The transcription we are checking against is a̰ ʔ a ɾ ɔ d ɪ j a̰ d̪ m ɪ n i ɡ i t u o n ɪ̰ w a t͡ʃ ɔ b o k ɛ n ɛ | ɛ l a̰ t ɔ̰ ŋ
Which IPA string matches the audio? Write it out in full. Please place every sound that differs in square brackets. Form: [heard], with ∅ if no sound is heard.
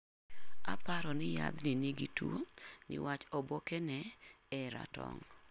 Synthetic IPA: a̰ [p] a ɾ ɔ [n] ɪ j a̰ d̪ [n] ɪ n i ɡ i t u o n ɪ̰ w a t͡ʃ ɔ b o k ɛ n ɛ | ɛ [ɾ] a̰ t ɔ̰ ŋ